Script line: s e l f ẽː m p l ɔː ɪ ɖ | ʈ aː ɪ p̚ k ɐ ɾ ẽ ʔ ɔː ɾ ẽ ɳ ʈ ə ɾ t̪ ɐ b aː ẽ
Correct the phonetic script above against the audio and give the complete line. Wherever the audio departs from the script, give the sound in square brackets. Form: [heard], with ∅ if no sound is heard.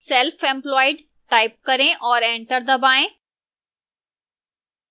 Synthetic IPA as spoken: s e l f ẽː m p l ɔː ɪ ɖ | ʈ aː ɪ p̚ k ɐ ɾ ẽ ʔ ɔː ɾ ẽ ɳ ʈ ə ɾ [d̪] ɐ b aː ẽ